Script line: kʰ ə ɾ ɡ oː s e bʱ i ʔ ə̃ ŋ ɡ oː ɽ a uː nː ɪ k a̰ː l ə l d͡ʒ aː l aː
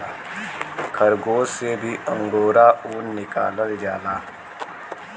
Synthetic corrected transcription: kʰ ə ɾ ɡ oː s e bʱ i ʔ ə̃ ŋ ɡ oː ɾ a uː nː ɪ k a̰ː l ə l d͡ʒ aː l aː